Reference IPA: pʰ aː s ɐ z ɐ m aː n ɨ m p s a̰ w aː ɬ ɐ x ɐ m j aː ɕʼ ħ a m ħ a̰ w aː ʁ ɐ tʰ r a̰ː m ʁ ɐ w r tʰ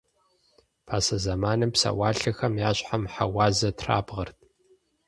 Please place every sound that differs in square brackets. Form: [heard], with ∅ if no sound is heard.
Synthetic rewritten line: pʰ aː s ɐ z ɐ m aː n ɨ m p s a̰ w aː ɬ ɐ x ɐ m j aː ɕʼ ħ a m ħ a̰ w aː [z] ɐ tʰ r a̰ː [b] ʁ ɐ [∅] r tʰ